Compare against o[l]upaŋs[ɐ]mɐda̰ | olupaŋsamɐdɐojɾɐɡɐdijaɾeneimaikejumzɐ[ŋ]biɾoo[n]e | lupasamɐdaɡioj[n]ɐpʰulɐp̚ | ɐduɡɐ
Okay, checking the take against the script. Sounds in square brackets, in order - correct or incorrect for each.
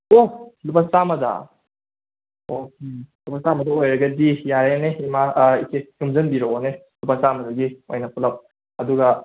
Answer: correct, incorrect: a, incorrect: n, correct, correct

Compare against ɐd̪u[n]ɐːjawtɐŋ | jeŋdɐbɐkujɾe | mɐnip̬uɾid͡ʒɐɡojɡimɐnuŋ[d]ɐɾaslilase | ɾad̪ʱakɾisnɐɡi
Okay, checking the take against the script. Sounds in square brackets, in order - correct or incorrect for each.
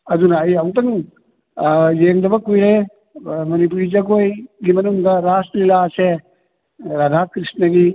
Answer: correct, correct

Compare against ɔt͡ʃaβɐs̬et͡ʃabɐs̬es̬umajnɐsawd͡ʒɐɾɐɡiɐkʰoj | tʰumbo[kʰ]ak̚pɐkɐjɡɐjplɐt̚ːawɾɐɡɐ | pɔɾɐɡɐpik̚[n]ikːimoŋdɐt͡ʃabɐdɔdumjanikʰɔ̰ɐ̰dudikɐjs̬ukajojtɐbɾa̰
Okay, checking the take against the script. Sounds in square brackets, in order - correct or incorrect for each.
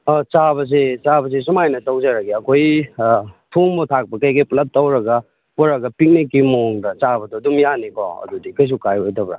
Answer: incorrect: tʰ, correct

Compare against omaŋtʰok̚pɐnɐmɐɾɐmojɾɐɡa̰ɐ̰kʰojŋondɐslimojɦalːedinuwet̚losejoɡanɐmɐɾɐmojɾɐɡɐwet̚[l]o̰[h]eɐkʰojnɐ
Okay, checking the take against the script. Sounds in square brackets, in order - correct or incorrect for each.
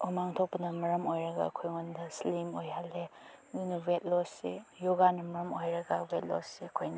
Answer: correct, incorrect: s

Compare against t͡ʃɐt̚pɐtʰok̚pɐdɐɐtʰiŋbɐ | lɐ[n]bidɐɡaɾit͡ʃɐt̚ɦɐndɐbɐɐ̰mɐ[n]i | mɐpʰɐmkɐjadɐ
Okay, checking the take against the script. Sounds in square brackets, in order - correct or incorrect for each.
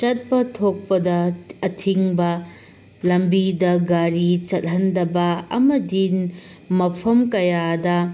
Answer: incorrect: m, incorrect: d

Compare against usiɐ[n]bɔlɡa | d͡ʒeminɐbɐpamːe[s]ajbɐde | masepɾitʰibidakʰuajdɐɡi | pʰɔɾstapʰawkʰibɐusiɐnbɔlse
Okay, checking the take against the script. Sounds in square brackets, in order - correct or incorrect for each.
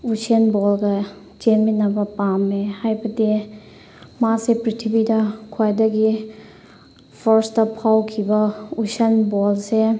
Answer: correct, incorrect: h

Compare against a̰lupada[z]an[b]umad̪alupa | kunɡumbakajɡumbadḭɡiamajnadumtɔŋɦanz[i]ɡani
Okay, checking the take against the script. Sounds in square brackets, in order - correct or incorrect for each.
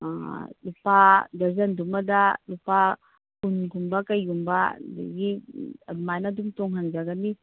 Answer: correct, incorrect: d, incorrect: a

